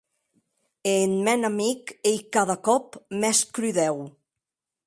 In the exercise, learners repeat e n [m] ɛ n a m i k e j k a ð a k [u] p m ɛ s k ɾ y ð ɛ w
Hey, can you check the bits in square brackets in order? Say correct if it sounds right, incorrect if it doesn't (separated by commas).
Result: correct, incorrect